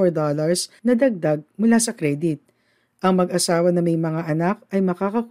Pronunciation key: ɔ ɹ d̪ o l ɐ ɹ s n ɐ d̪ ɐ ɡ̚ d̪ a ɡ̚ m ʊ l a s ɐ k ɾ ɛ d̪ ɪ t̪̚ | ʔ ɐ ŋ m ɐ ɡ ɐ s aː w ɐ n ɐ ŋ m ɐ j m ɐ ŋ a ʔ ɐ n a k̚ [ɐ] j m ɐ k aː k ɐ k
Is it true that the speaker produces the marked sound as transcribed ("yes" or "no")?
yes